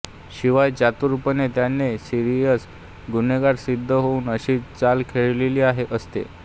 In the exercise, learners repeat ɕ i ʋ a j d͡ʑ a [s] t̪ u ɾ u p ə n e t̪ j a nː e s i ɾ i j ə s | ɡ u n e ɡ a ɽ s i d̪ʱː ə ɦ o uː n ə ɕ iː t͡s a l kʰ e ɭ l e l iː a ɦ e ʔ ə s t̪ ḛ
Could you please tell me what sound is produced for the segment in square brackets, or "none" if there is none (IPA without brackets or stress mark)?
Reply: none